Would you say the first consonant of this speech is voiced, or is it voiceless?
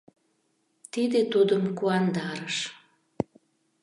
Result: voiceless